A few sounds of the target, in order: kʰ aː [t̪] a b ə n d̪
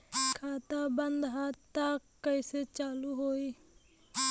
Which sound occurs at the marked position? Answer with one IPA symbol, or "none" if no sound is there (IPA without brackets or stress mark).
t̪